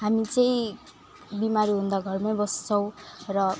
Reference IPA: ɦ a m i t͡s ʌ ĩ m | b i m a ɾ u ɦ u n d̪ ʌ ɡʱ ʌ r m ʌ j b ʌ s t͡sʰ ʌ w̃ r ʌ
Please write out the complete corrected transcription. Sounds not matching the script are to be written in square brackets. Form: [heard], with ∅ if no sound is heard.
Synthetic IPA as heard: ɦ a m i t͡s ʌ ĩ [∅] | b i m a ɾ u ɦ u n d̪ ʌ ɡʱ ʌ r m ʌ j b ʌ s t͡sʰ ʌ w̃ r ʌ